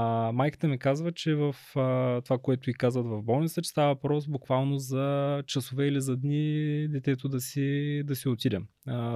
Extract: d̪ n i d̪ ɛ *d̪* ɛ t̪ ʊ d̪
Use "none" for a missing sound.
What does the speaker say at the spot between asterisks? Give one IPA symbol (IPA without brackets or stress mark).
t̪